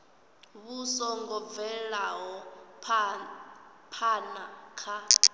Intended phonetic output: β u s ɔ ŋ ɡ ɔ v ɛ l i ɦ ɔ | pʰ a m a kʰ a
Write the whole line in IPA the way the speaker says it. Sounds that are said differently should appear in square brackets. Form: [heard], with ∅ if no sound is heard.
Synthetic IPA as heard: β u s ɔ ŋ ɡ ɔ v ɛ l [a] ɦ ɔ | pʰ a [n] a kʰ a

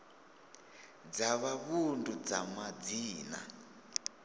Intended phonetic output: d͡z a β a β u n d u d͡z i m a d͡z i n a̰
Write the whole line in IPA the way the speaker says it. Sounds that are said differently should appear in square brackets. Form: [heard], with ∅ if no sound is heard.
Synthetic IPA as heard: d͡z a β a β u n d u d͡z [a] m a d͡z [iː] n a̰

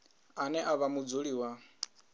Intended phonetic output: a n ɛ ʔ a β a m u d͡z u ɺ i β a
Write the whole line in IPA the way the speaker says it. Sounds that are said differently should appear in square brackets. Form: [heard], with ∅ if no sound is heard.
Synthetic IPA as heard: a n ɛ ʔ a β a m u d͡z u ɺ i [w] a

